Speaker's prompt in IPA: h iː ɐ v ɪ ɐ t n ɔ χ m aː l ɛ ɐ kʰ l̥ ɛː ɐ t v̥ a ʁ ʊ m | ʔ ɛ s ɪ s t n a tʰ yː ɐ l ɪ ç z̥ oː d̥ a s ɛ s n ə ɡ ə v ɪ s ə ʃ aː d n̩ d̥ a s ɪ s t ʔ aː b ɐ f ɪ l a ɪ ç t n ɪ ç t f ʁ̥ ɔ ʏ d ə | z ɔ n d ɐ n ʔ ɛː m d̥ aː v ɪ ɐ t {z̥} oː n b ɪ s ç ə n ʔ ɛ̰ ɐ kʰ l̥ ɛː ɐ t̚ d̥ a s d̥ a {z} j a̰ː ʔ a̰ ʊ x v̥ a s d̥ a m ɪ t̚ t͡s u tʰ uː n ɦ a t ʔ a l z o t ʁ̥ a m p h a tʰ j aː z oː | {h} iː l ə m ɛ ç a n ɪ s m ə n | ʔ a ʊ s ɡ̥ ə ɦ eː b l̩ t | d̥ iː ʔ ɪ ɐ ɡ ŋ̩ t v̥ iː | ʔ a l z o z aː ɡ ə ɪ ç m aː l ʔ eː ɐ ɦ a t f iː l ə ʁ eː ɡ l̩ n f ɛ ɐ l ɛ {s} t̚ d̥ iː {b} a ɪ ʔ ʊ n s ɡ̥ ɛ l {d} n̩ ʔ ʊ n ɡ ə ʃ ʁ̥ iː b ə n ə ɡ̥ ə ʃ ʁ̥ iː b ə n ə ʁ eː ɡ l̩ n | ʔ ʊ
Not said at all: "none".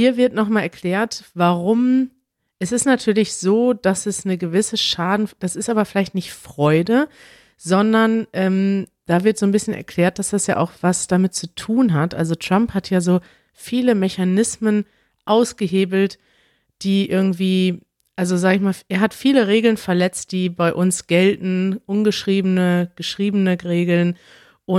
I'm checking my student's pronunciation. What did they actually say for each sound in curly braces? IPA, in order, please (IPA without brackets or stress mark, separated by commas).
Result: z̥, s, f, t͡s, b, t